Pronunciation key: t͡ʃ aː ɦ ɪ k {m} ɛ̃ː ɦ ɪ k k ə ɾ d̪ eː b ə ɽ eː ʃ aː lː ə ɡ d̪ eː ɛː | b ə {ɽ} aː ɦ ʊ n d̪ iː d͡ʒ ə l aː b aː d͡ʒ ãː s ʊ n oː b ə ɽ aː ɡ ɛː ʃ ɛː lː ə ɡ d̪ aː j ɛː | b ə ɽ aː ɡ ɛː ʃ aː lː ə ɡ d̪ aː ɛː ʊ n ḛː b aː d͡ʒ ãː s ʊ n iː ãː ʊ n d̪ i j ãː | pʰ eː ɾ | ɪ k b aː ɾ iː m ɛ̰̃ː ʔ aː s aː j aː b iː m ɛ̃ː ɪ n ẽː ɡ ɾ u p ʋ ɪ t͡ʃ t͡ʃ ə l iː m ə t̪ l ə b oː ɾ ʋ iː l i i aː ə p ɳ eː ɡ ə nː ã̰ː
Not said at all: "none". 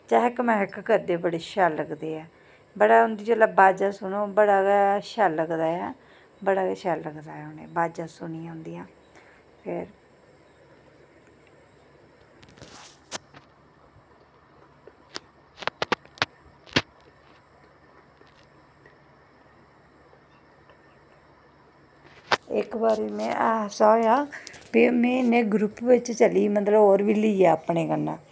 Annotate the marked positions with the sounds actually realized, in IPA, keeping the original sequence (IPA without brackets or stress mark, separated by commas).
m, ɽ